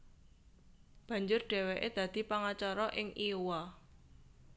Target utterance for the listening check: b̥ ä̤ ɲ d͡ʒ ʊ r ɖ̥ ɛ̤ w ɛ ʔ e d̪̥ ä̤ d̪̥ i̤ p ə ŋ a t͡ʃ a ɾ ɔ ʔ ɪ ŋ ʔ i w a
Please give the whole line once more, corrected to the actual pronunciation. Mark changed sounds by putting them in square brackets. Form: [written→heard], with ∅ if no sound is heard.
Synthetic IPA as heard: b̥ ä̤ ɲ d͡ʒ ʊ r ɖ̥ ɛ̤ w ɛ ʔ e d̪̥ ä̤ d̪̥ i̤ p [ə→a] ŋ a t͡ʃ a ɾ ɔ ʔ ɪ ŋ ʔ i w a

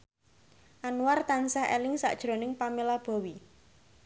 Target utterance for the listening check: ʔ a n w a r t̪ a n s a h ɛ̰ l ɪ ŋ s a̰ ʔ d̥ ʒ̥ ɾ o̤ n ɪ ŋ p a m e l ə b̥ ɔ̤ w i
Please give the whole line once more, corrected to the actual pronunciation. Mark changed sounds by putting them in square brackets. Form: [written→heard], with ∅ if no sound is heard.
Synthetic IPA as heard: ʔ a n w a r t̪ a n s a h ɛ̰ l ɪ ŋ s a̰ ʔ d̥ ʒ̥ ɾ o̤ n ɪ ŋ p a m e l [ə→a] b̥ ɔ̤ w i

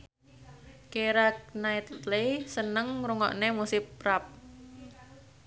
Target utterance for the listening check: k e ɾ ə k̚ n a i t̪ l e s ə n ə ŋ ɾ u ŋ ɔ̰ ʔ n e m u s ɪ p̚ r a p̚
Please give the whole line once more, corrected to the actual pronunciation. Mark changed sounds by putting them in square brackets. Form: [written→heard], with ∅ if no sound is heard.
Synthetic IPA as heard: k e ɾ [ə→a] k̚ n a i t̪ l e s ə n ə ŋ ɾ u ŋ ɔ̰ ʔ n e m u s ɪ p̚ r a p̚

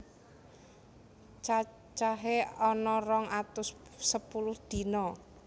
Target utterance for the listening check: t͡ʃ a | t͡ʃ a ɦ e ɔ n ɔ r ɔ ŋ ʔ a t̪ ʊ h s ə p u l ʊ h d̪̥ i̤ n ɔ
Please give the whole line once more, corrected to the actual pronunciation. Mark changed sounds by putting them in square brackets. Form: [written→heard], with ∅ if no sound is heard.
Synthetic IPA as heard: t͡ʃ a | t͡ʃ a ɦ e ɔ n ɔ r ɔ ŋ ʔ a t̪ ʊ [h→s] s ə p u l ʊ h d̪̥ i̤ n ɔ

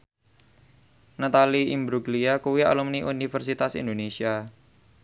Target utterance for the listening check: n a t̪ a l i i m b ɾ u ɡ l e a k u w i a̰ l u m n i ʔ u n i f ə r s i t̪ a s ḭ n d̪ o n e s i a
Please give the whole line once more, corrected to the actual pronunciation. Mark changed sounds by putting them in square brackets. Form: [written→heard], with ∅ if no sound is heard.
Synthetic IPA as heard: n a t̪ a l i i m b ɾ u ɡ l [e→i] a k u w i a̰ l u m n i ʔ u n i f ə r s i t̪ a s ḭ n d̪ o n e s i a

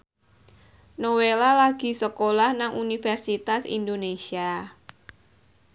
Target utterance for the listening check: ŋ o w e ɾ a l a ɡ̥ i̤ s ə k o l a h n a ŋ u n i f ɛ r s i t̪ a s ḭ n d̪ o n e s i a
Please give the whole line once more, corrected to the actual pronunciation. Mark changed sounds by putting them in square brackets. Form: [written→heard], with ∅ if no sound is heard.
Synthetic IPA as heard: [ŋ→n] o w e [ɾ→l] a l a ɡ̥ i̤ s ə k o l a h n a ŋ u n i f ɛ r s i t̪ a s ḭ n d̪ o n e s i a

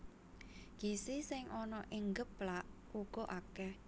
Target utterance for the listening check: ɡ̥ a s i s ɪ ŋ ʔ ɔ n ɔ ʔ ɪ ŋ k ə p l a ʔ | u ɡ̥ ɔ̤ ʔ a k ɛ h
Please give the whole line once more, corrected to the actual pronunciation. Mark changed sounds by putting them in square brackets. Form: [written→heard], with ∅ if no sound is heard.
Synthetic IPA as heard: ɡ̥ [a→i] s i s ɪ ŋ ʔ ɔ n ɔ ʔ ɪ ŋ [k→ɡ] ə p l a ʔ | u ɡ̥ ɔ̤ ʔ a k ɛ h

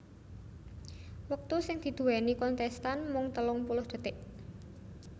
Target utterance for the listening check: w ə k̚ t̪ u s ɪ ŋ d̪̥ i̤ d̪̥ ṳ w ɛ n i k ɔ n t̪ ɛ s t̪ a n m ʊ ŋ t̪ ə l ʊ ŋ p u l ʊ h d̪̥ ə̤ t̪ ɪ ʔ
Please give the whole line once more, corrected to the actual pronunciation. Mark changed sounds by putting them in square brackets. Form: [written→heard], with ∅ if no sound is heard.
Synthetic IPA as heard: w ə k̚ t̪ u s ɪ ŋ d̪̥ i̤ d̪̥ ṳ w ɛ n i k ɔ n t̪ ɛ s t̪ a n m ʊ ŋ t̪ ə l ʊ ŋ p u l ʊ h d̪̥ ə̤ t̪ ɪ ʔ

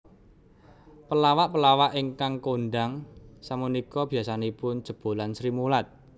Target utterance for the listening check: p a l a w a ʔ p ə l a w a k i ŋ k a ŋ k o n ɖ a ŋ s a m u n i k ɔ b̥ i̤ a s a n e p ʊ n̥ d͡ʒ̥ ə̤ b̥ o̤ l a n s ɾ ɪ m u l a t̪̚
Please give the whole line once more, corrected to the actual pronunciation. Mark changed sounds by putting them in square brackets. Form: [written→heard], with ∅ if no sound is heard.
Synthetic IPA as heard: p [a→ə] l a w a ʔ p ə l a w a [k→ʔ] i ŋ k a ŋ k o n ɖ a ŋ s a m u n i k ɔ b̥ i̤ a s a n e p ʊ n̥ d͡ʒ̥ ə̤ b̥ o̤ l a n s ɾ [ɪ→i] m u l a t̪̚

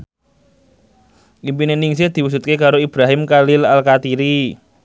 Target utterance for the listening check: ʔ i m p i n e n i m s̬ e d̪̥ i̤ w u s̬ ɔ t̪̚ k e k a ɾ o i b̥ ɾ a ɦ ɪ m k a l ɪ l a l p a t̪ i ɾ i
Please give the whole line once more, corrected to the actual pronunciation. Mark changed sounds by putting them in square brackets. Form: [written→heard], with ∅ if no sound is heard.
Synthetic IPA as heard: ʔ i m p i n e n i [m→ŋ] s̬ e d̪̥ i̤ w u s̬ [ɔ→u] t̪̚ k e k a ɾ o i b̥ ɾ a ɦ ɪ m k a l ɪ l a l [p→k] a t̪ i ɾ i

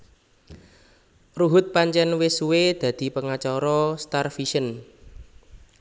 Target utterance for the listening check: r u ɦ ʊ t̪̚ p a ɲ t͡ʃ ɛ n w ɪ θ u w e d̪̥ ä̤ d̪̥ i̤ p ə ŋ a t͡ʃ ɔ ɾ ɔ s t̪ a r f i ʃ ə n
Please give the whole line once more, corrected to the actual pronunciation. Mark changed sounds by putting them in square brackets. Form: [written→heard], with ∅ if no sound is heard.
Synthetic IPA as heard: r u ɦ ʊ t̪̚ p a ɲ t͡ʃ ɛ n w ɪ [θ→s] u w e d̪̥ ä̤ d̪̥ i̤ p ə ŋ a t͡ʃ ɔ ɾ ɔ s t̪ a r f i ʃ ə n

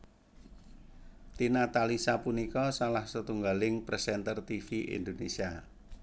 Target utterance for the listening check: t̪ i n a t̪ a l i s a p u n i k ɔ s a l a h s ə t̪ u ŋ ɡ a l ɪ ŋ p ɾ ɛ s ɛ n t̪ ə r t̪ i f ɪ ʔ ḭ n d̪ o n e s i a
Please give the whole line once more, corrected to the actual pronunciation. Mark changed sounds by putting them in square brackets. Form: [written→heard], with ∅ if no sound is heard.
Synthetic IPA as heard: t̪ i n a t̪ a l i s a p u n i k ɔ s a l a h s ə t̪ u ŋ ɡ a l ɪ ŋ p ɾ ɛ s ɛ n t̪ ə r t̪ i f [ɪ→i] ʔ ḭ n d̪ o n e s i a

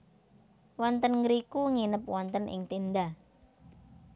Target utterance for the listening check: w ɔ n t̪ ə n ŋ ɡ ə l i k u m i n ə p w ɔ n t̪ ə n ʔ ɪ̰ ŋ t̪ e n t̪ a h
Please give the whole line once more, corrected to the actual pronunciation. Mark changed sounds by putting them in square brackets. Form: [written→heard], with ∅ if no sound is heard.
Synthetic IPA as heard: w ɔ n t̪ ə n ŋ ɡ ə [l→ɾ] i k u [m→ŋ] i n ə p w ɔ n t̪ ə n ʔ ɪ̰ ŋ t̪ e n [t̪→d̪] a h

